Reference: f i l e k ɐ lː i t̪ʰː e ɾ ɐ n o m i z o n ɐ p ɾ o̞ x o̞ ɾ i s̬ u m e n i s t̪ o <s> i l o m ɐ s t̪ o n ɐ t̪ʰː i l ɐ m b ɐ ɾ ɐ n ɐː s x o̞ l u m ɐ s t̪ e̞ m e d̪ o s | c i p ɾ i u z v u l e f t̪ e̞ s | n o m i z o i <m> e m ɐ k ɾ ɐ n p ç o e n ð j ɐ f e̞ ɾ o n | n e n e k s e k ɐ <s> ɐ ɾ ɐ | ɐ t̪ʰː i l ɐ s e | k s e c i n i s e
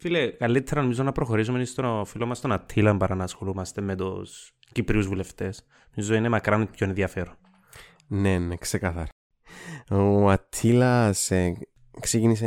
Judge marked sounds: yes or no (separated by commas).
no, no, no